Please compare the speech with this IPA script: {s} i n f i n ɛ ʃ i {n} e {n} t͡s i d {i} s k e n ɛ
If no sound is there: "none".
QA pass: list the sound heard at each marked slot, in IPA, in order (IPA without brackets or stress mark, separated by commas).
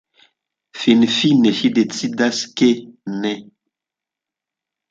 f, d, none, a